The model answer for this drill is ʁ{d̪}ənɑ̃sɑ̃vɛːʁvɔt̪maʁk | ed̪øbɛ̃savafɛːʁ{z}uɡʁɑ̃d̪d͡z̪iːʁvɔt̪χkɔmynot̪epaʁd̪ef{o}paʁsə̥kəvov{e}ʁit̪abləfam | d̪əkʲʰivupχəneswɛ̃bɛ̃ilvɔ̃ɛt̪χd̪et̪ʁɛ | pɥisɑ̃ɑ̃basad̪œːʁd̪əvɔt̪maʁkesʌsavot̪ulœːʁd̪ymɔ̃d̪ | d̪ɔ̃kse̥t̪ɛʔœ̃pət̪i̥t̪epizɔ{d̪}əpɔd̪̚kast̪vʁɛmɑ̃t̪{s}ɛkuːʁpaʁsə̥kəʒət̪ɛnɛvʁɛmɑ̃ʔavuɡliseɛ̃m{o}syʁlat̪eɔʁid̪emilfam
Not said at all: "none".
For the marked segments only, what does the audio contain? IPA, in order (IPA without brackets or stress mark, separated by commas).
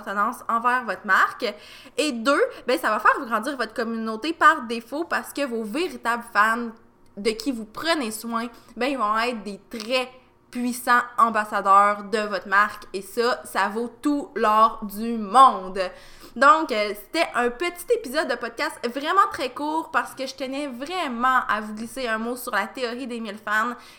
t̪, v, o, e, d̪ː, χ, o